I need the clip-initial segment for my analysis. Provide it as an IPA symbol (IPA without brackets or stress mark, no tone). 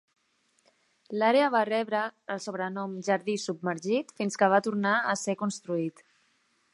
l